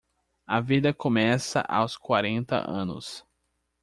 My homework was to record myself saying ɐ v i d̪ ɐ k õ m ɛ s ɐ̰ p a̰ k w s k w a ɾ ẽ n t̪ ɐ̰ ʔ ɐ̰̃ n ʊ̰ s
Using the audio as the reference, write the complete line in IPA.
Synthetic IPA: ɐ v i d̪ ɐ k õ m ɛ s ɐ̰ ʔ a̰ w s k w a ɾ ẽ n t̪ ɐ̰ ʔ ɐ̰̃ n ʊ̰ s